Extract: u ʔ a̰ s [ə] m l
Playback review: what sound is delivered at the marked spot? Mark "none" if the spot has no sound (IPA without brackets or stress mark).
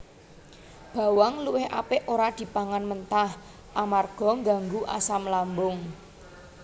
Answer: a